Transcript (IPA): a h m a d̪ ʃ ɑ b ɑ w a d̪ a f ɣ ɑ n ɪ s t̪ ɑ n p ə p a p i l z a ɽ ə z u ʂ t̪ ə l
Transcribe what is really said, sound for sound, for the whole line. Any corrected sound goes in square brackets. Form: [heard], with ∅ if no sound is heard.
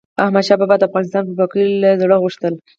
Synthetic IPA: a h m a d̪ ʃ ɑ b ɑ [b] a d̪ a f ɣ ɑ n ɪ s t̪ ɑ n p ə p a [k] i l z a ɽ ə [ɣ] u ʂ t̪ ə l